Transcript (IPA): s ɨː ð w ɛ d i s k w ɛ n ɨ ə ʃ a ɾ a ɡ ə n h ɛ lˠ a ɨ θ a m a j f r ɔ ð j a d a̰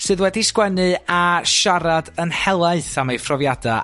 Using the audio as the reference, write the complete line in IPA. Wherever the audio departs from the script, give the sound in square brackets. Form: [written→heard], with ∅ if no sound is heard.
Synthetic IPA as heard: s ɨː ð w ɛ d i s k w ɛ n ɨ [ə→a] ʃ a ɾ a [ɡ→d] ə n h ɛ lˠ a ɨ θ a m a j f r ɔ [ð→v] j a d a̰